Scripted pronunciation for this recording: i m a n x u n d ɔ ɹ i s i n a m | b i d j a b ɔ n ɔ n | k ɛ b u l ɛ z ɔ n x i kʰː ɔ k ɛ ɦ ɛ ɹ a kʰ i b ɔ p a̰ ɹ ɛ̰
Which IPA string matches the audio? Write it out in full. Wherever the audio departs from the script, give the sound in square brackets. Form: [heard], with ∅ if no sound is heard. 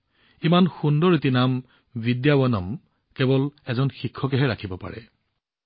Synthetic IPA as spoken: i m a n x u n d ɔ ɹ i [t] i n a m | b i d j a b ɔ n ɔ [m] | k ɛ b [ɔ] l ɛ z ɔ n x i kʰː ɔ k ɛ ɦ ɛ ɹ a kʰ i b ɔ p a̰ ɹ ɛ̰